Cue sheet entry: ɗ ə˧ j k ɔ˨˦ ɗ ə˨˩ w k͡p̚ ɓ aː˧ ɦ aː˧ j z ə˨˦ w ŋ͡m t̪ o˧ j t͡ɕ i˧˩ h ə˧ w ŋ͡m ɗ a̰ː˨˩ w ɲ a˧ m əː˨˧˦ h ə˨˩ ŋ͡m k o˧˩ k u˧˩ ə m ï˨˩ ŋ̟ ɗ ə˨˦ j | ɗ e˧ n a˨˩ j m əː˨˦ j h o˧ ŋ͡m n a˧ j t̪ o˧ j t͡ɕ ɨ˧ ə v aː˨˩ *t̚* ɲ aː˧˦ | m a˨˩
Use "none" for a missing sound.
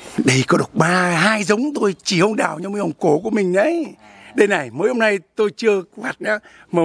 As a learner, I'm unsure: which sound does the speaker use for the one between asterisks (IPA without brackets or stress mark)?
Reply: t̚